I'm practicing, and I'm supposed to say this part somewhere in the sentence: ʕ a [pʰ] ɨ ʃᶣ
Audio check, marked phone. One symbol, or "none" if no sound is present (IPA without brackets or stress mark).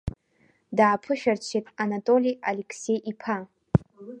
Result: pʰ